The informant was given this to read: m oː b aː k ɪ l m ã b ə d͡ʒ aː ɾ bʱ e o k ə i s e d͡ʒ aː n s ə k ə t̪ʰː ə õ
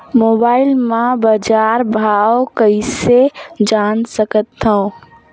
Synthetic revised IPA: m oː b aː ɪ l m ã b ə d͡ʒ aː ɾ bʱ a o k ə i s e d͡ʒ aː n s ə k ə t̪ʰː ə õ